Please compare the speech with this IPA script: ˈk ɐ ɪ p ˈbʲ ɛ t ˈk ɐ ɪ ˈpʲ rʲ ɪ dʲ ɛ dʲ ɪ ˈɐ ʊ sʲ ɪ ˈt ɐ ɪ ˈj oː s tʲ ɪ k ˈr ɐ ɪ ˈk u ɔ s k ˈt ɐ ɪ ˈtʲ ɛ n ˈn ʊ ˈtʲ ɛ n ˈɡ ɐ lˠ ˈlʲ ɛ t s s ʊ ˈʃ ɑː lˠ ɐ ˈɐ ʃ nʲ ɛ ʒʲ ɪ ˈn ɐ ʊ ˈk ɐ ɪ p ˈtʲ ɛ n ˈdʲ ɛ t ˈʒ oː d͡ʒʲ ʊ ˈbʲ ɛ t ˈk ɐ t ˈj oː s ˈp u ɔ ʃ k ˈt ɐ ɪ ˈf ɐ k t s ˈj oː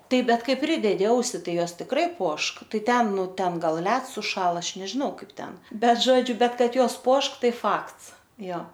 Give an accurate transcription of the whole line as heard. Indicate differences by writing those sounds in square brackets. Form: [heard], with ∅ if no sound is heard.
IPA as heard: [ˈt] ɐ ɪ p ˈbʲ ɛ t ˈk ɐ ɪ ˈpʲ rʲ ɪ dʲ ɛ dʲ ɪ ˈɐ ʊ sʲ ɪ ˈt ɐ ɪ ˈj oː s tʲ ɪ k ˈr ɐ ɪ [ˈp] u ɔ [ʃ] k ˈt ɐ ɪ ˈtʲ ɛ n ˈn ʊ ˈtʲ ɛ n ˈɡ ɐ lˠ ˈlʲ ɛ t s s ʊ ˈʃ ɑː lˠ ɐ ˈɐ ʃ nʲ ɛ ʒʲ ɪ ˈn ɐ ʊ ˈk ɐ ɪ p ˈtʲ ɛ n [ˈbʲ] ɛ t ˈʒ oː d͡ʒʲ ʊ ˈbʲ ɛ t ˈk ɐ t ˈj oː s ˈp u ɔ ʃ k ˈt ɐ ɪ ˈf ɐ k t s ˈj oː